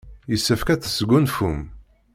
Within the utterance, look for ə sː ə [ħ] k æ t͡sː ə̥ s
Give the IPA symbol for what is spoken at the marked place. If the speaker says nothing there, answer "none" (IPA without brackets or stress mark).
f